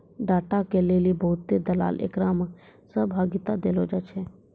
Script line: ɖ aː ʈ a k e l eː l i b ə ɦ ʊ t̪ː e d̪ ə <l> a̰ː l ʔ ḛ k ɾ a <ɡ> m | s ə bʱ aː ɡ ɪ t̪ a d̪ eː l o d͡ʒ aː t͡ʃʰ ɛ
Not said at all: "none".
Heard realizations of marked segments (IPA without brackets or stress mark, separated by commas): l, none